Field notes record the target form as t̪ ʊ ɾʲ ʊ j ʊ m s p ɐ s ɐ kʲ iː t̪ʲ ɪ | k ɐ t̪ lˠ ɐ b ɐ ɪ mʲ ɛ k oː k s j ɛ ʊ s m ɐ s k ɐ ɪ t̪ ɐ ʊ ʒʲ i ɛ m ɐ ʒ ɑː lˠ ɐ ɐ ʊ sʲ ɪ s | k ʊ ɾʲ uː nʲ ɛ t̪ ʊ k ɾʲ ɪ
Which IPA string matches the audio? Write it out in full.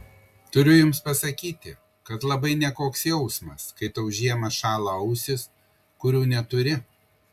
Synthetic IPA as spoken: t̪ ʊ ɾʲ ʊ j ʊ m s p ɐ s ɐ kʲ iː t̪ʲ ɪ | k ɐ t̪ lˠ ɐ b ɐ ɪ nʲ ɛ k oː k s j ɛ ʊ s m ɐ s k ɐ ɪ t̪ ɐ ʊ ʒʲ i ɛ m ɐ ʃ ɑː lˠ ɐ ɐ ʊ sʲ ɪ s | k ʊ ɾʲ uː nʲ ɛ t̪ ʊ ɾʲ ɪ